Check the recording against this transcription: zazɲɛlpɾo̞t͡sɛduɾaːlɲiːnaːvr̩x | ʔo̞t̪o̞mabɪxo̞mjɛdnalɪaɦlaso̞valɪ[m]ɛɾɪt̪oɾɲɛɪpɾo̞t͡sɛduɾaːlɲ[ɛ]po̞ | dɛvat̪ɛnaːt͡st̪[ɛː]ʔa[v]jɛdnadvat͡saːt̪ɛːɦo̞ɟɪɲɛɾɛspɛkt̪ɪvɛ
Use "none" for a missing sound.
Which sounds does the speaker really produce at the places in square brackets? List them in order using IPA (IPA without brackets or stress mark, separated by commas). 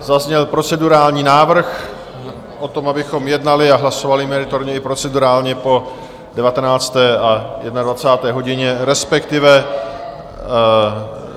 m, ɛ, ɛː, none